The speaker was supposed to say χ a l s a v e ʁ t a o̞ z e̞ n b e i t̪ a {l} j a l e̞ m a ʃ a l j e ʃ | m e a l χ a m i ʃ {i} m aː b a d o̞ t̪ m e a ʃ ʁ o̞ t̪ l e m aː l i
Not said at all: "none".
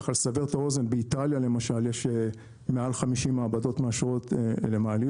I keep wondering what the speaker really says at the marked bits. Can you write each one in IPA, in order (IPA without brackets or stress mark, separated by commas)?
l, i